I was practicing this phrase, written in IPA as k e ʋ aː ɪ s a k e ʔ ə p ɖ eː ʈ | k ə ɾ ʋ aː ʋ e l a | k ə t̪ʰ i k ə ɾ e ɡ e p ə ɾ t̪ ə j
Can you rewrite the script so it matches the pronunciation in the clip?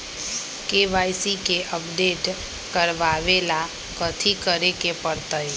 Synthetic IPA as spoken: k e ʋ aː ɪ s i k e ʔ ə p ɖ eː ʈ | k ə ɾ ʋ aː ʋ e l a | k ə t̪ʰ i k ə ɾ e k e p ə ɾ t̪ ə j